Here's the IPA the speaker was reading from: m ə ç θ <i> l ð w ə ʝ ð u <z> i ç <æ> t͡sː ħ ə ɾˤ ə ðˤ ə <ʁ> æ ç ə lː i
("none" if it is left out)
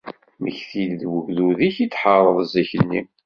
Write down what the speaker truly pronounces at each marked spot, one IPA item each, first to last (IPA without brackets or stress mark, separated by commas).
i, ð, i, z